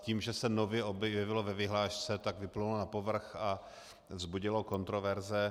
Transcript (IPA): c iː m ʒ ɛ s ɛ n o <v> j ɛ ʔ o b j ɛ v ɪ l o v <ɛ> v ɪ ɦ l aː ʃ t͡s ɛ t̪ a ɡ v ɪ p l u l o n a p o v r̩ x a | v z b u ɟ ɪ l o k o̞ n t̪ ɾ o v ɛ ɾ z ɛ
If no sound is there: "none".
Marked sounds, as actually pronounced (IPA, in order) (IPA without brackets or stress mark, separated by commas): v, ɛ